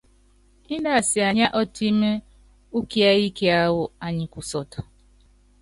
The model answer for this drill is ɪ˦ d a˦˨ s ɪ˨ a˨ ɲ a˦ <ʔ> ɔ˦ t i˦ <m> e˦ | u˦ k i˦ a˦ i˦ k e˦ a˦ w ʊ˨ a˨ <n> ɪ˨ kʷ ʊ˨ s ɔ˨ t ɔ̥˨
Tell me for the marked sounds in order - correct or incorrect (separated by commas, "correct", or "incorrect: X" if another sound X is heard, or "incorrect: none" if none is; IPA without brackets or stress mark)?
correct, correct, incorrect: ɲ